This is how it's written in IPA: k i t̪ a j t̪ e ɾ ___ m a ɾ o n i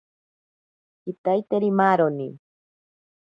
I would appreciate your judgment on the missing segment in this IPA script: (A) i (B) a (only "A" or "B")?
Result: A